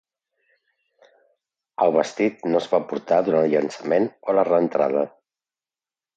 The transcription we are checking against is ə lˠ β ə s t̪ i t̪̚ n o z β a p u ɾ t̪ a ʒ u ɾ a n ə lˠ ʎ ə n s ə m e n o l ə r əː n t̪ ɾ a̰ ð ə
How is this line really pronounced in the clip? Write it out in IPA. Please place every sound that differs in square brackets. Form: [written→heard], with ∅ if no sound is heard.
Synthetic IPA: ə lˠ β ə s t̪ i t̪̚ n o z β a p u ɾ t̪ a [ʒ→ð] u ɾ a n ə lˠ ʎ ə n s ə m e n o l ə r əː n t̪ ɾ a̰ ð ə